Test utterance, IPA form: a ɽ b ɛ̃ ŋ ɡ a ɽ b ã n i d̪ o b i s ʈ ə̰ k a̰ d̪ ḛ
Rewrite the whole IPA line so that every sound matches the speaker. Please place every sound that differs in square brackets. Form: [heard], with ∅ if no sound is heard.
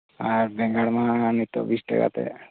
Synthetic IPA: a [ɾ] b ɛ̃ ŋ ɡ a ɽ [m] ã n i [t̪] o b i s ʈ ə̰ k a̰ [t̪] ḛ